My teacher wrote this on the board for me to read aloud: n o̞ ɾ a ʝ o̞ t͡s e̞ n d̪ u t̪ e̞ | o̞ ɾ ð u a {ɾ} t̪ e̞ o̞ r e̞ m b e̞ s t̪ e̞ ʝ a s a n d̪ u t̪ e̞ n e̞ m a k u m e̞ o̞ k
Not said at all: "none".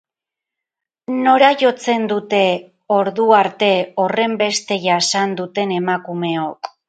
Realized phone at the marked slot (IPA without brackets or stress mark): ɾ